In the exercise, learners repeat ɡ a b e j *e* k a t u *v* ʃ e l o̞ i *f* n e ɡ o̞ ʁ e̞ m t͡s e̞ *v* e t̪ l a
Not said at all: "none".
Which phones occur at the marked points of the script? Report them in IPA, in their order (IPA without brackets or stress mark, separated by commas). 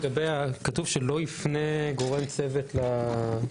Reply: a, v, f, v